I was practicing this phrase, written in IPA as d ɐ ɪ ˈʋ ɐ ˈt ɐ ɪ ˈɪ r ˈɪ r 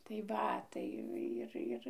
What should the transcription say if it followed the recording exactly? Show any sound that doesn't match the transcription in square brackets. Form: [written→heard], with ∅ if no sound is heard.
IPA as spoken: [d→t] ɐ ɪ ˈʋ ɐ ˈt ɐ ɪ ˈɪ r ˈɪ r